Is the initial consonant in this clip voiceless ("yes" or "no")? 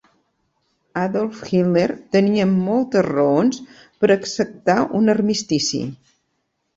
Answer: no